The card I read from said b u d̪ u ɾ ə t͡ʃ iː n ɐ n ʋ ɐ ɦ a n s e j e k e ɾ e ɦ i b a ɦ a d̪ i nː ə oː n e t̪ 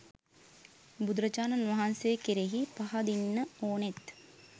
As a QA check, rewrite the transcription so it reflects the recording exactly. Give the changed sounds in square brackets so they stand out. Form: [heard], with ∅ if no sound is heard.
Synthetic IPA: b u d̪ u ɾ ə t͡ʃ [aː] n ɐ n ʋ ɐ ɦ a n s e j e k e ɾ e ɦ i [p] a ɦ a d̪ i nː ə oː n e t̪